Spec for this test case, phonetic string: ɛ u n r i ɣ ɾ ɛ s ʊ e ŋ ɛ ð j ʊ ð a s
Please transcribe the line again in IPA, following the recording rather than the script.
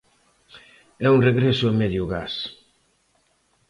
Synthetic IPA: ɛ u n r e ɣ ɾ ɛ s ʊ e m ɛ ð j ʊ ɣ a s